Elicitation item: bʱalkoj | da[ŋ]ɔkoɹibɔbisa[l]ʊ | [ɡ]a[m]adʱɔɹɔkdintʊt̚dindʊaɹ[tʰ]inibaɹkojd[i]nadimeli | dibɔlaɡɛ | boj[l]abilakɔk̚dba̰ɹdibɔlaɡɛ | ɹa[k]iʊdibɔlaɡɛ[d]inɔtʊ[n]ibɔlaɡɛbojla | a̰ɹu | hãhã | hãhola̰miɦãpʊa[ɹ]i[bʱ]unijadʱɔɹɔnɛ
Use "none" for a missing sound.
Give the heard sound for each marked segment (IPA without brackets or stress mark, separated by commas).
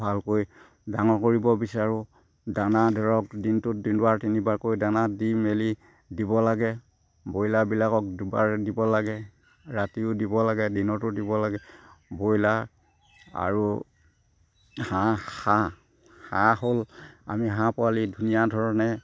ŋ, ɹ, d, n, t, a, l, t, d, d, l, dʱ